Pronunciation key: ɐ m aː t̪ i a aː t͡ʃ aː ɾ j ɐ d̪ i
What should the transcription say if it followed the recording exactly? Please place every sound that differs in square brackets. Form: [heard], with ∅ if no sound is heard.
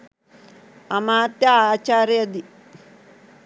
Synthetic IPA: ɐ m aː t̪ [j] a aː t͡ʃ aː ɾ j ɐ d̪ i